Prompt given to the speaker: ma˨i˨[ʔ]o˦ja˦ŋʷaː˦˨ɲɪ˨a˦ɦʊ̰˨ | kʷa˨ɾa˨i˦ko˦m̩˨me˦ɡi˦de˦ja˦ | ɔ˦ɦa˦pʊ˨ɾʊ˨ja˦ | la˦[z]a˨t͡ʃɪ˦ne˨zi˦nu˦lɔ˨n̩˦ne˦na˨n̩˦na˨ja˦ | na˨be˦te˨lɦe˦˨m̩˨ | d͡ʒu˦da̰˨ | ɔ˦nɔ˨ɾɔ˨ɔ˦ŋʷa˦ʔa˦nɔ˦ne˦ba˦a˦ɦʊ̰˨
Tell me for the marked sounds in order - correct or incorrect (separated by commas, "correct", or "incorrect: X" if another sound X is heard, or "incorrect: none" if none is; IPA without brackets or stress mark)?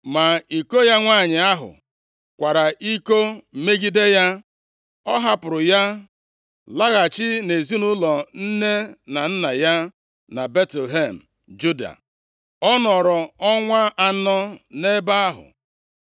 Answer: incorrect: k, incorrect: ɣ